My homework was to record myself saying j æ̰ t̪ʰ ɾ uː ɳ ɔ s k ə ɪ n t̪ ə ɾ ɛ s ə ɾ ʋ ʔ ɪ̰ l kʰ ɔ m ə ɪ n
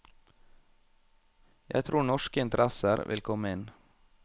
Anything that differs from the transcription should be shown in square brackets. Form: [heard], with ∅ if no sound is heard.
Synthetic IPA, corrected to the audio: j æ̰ t̪ʰ ɾ uː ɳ ɔ [ʃ] k ə ɪ n t̪ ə ɾ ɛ s ə ɾ ʋ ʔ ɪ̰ l kʰ ɔ m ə ɪ n